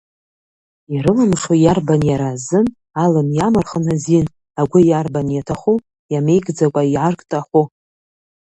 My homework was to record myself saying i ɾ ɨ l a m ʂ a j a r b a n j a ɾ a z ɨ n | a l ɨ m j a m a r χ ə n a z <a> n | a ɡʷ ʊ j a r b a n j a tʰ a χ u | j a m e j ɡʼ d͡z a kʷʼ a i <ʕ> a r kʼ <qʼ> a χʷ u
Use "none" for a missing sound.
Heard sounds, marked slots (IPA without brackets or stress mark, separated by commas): i, ʕ, tʼ